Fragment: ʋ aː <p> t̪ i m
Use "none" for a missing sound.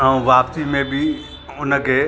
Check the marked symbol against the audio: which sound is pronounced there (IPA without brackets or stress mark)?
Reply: p